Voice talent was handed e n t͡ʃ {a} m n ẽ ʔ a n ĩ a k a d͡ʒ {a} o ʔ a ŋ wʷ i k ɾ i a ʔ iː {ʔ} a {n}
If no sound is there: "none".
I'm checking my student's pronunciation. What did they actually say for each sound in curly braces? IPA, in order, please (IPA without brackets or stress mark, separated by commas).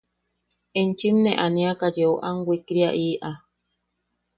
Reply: i, e, ʔ, none